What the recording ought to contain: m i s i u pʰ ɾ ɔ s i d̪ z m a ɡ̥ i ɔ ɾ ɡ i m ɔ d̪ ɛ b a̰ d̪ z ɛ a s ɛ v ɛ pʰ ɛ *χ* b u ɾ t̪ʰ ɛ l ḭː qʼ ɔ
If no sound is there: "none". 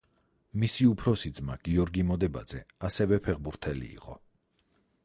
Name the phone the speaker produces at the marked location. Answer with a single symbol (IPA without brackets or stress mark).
ʁ